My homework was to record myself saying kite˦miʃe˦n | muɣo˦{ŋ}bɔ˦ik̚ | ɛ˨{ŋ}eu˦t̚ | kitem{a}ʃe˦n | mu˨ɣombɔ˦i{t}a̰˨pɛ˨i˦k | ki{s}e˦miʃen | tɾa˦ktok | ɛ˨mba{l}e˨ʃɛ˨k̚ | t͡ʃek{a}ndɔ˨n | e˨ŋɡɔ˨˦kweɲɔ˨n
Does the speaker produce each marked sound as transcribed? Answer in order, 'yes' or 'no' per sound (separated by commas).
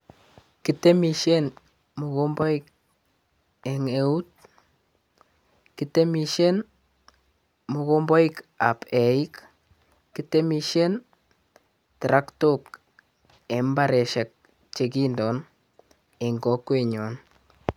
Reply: no, yes, no, no, no, no, no